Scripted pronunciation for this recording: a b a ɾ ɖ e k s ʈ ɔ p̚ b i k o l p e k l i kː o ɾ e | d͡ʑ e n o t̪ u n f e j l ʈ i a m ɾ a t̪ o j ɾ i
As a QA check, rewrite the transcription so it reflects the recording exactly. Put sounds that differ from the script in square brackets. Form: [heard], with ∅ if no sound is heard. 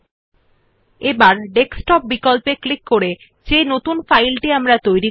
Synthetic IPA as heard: [e] b a ɾ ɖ e k s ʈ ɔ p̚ b i k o l p e k l i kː o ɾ e | d͡ʑ e n o t̪ u n f [a] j l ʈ i a m ɾ a t̪ o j ɾ i